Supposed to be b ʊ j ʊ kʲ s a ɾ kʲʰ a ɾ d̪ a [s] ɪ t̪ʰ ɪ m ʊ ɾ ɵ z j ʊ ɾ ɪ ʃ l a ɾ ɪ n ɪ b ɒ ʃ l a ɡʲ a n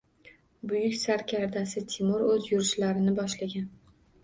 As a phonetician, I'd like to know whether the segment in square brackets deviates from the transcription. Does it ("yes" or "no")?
no